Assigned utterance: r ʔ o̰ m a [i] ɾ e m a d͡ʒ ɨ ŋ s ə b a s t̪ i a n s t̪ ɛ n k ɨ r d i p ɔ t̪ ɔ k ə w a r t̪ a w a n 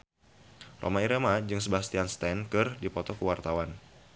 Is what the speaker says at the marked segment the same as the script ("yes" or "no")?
yes